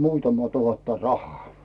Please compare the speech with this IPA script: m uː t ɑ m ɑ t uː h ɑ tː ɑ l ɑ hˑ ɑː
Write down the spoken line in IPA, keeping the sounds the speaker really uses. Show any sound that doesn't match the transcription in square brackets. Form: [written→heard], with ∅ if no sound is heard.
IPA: m uː t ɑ m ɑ t [uː→u] h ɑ tː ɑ [l→r] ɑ hˑ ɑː